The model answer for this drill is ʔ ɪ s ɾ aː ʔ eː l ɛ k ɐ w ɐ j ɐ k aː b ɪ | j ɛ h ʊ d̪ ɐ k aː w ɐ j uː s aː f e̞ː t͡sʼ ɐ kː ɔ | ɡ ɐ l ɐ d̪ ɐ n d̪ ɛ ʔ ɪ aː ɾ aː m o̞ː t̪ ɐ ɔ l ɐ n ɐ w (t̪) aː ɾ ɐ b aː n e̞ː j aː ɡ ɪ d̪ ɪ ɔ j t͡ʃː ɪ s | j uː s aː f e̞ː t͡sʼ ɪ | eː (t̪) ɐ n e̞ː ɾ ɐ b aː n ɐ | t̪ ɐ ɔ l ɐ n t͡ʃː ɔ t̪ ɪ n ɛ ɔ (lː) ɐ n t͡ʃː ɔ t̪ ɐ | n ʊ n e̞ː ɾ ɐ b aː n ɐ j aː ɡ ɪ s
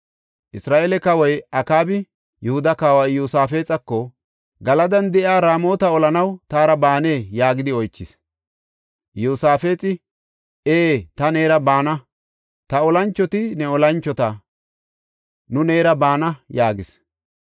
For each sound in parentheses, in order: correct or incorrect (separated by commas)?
correct, correct, incorrect